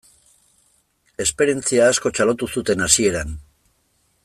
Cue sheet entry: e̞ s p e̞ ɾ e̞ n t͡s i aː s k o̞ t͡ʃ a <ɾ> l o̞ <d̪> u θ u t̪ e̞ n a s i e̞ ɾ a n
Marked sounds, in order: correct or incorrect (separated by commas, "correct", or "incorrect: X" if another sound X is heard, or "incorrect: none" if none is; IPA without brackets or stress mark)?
incorrect: none, incorrect: t̪